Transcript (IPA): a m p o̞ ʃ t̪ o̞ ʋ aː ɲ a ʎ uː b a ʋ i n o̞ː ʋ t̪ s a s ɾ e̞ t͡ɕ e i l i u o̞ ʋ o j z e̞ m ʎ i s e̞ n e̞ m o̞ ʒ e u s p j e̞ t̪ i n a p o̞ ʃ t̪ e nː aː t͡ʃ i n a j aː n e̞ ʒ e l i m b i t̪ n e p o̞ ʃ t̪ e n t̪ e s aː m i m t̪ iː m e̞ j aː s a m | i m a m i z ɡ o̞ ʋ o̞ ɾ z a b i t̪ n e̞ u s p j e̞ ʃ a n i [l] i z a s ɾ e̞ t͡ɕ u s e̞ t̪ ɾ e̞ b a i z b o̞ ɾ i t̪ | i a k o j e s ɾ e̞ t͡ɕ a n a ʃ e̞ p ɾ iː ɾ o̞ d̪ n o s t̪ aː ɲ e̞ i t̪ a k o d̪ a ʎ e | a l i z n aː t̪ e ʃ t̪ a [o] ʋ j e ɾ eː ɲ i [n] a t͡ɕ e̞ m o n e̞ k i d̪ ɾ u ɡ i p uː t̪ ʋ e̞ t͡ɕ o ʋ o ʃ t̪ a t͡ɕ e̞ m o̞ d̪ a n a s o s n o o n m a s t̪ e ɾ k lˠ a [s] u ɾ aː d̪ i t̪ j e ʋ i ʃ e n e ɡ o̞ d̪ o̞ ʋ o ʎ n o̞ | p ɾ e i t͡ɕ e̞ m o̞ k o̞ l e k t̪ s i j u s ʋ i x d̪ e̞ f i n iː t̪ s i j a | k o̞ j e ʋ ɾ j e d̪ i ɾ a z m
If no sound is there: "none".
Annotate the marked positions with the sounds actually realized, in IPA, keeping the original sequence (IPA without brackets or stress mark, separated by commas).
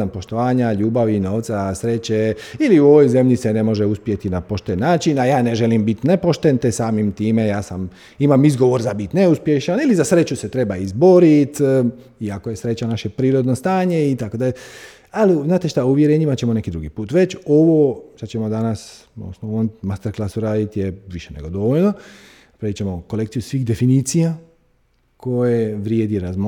l, u, m, s